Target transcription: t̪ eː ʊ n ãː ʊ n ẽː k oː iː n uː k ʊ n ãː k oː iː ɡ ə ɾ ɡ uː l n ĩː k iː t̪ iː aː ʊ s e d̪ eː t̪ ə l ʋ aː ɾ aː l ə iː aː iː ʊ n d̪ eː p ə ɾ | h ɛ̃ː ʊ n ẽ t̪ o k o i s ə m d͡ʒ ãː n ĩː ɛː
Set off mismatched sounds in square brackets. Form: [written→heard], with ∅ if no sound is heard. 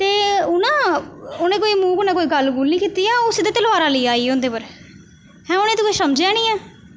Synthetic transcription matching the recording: t̪ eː ʊ n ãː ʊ n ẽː k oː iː [n→m] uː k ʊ n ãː k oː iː ɡ ə [ɾ→l] ɡ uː l n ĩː k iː t̪ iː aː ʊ s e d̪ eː t̪ ə l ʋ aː ɾ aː l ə iː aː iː ʊ n d̪ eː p ə ɾ | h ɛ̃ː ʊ n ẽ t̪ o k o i s ə m d͡ʒ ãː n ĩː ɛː